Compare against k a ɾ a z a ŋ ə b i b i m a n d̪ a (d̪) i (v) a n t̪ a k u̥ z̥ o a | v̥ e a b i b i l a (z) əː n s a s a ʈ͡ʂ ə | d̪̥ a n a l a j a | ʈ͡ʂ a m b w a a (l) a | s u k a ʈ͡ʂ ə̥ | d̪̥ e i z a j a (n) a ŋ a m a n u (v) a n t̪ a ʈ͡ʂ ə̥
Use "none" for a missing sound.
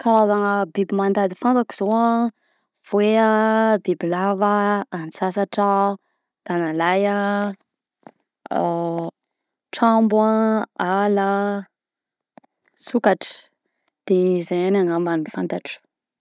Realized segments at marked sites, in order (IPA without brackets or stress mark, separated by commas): d̪, f, v, l, n, f